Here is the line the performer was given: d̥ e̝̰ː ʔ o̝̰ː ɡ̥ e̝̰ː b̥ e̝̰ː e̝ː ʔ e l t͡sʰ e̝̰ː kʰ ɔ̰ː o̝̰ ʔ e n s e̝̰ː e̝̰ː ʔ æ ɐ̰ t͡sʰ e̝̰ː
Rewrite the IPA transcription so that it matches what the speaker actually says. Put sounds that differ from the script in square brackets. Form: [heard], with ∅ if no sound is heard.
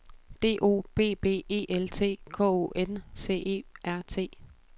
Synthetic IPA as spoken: d̥ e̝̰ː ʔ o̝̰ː [b̥] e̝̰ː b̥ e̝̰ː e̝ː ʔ e l t͡sʰ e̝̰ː kʰ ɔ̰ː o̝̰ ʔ e n s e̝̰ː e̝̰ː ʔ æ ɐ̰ t͡sʰ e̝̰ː

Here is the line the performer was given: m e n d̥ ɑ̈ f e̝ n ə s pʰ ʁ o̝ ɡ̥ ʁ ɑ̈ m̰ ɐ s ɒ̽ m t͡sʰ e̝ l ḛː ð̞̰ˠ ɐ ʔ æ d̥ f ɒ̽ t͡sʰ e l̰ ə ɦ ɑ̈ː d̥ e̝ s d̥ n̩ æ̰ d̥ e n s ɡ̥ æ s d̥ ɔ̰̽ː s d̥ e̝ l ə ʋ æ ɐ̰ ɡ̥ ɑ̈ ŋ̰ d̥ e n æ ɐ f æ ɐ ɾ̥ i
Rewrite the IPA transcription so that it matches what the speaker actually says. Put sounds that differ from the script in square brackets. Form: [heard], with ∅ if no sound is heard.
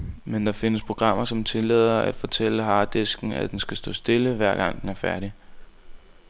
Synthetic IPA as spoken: m e n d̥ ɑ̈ f e̝ n ə s pʰ ʁ o̝ ɡ̥ ʁ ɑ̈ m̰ ɐ s ɒ̽ m t͡sʰ e̝ l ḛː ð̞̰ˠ ɐ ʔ æ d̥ f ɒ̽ t͡sʰ e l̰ ə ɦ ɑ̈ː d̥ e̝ s [ɡ̥] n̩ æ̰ d̥ e n s ɡ̥ æ s d̥ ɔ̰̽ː s d̥ e̝ l ə ʋ æ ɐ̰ ɡ̥ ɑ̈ ŋ̰ d̥ e n æ ɐ f æ ɐ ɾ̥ i

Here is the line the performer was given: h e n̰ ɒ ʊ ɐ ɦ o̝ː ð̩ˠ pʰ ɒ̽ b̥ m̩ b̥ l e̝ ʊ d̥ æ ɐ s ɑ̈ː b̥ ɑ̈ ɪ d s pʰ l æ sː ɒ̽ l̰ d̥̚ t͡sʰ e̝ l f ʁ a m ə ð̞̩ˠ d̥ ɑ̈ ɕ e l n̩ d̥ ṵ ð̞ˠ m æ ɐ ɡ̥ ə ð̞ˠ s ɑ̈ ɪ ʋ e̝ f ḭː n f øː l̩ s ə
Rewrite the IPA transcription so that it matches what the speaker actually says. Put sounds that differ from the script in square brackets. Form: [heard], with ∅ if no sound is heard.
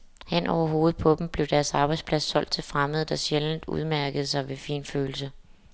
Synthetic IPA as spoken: h e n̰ ɒ ʊ ɐ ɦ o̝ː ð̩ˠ pʰ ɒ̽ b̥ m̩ b̥ l e̝ ʊ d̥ æ ɐ s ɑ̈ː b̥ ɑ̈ ɪ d s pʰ l æ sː ɒ̽ l̰ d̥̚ t͡sʰ e̝ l f ʁ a m ə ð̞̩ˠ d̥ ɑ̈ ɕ e l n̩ d̥ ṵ ð̞ˠ m æ ɐ ɡ̥ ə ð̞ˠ s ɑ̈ ɪ ʋ e̝ f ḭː n f øː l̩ s ə

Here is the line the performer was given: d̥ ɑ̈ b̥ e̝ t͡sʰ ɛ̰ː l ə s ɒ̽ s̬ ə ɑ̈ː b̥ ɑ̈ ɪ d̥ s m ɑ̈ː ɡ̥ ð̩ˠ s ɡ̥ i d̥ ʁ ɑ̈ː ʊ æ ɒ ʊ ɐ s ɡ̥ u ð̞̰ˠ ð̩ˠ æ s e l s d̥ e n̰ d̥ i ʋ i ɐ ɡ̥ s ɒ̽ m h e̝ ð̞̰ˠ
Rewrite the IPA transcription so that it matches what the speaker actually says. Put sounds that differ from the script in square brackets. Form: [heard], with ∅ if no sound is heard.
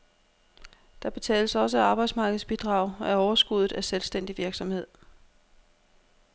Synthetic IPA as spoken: d̥ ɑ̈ b̥ e̝ t͡sʰ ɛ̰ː l ə s ɒ̽ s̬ ə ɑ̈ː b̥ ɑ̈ ɪ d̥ s m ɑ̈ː ɡ̥ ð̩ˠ s [b̥] i d̥ ʁ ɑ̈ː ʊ æ ɒ ʊ ɐ s ɡ̥ u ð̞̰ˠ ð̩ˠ æ s e l s d̥ e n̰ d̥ i ʋ i ɐ ɡ̥ s ɒ̽ m h e̝ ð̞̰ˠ

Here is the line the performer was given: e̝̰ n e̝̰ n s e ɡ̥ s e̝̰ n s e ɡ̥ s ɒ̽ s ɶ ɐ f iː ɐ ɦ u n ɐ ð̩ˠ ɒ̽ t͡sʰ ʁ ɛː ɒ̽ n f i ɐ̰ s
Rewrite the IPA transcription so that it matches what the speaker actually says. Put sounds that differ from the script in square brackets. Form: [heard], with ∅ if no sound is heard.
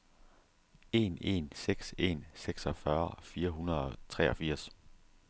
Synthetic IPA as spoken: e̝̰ n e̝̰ n s e ɡ̥ s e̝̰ n s e ɡ̥ s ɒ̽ [f] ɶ ɐ f iː ɐ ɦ u n ɐ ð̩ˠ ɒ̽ t͡sʰ ʁ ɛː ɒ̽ [∅] f i ɐ̰ s

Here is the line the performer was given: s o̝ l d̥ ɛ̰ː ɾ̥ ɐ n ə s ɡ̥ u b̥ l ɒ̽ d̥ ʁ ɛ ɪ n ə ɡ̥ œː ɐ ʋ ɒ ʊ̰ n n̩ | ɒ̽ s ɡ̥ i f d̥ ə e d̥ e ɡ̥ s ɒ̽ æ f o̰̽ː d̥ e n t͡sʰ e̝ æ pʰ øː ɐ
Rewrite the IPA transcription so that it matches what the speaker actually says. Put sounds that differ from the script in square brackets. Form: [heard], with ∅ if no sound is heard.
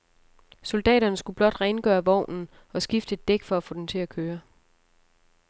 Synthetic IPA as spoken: s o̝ l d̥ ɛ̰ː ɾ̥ ɐ n ə s ɡ̥ u b̥ l ɒ̽ d̥ ʁ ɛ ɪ n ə ɡ̥ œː ɐ ʋ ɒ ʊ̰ n n̩ | ɒ̽ s ɡ̥ i f d̥ ə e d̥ e ɡ̥ [f] ɒ̽ æ f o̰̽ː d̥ e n t͡sʰ e̝ æ [kʰ] øː ɐ

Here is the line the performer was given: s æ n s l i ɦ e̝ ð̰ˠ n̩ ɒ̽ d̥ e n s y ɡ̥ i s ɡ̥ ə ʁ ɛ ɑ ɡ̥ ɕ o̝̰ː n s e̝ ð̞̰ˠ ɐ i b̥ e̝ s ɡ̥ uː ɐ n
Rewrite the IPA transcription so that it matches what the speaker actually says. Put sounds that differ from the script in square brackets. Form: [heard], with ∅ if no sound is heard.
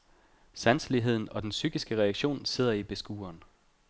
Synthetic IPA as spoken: s æ n s l i ɦ e̝ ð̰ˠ n̩ ɒ̽ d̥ e n s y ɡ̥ i s ɡ̥ ə ʁ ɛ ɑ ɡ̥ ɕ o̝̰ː n s e̝ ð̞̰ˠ ɐ i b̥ e̝ s ɡ̥ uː ɐ n

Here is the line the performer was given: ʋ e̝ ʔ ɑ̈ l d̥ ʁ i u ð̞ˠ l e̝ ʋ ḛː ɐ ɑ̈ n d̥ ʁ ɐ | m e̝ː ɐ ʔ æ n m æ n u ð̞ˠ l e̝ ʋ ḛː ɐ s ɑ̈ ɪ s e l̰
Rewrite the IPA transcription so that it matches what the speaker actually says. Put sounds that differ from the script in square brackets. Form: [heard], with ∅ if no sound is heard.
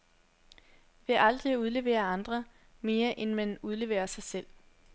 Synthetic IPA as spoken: ʋ e̝ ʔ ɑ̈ l d̥ ʁ i u ð̞ˠ l e̝ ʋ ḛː ɐ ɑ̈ n d̥ ʁ ɐ | m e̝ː ɐ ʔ [e] n m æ n u ð̞ˠ l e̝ ʋ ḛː ɐ s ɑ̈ ɪ s e l̰

